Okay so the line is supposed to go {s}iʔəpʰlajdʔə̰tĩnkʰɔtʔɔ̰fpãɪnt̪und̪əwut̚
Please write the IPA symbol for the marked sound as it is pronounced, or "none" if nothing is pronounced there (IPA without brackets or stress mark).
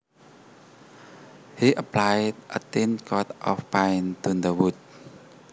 h